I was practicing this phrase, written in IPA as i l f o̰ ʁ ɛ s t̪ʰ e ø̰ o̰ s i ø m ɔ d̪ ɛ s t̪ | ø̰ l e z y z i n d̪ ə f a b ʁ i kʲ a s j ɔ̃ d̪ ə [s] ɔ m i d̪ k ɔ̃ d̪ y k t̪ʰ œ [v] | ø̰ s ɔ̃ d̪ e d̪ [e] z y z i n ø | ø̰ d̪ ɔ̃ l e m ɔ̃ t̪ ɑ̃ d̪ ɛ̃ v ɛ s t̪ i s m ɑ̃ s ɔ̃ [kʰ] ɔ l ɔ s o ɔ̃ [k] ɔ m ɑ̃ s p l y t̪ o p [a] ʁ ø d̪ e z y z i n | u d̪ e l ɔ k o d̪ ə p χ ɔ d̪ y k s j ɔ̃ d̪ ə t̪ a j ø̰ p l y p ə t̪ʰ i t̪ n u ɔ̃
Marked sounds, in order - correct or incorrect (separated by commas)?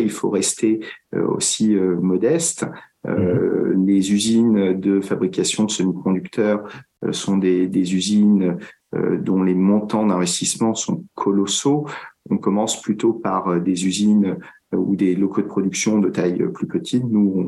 correct, incorrect, correct, correct, correct, correct